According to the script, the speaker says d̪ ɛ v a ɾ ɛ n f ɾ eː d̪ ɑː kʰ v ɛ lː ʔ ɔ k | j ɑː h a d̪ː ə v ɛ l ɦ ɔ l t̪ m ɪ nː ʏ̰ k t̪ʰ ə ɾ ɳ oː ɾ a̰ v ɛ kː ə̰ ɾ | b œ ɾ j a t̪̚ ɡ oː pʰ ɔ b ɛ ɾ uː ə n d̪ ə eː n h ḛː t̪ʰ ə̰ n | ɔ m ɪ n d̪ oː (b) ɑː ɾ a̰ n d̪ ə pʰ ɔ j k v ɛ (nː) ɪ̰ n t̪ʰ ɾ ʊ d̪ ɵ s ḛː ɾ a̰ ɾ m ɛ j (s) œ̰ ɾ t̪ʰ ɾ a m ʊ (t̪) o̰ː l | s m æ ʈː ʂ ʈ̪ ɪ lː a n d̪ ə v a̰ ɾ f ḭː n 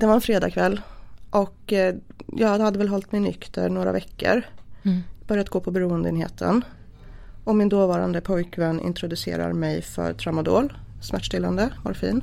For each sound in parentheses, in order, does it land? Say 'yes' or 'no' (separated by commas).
no, yes, no, no